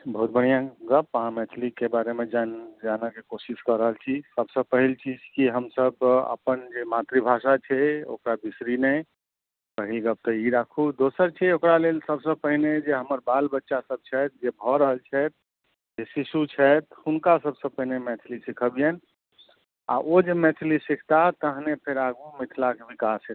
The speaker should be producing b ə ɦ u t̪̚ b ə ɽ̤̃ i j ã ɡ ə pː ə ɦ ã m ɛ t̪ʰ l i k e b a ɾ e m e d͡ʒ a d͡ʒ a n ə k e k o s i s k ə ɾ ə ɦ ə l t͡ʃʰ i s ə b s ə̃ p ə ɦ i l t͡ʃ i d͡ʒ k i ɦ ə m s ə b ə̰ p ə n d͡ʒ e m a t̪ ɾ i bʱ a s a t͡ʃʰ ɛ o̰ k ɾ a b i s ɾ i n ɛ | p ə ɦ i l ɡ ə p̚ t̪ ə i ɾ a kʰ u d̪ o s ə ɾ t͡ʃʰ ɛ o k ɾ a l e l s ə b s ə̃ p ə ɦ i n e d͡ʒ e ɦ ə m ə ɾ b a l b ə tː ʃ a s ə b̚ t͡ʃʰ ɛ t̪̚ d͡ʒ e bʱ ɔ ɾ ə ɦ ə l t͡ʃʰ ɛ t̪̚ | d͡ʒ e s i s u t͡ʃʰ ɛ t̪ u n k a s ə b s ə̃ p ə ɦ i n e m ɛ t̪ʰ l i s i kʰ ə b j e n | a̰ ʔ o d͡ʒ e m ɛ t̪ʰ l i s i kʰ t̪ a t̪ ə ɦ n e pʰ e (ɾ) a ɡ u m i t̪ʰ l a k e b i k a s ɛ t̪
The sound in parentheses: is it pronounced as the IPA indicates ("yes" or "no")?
yes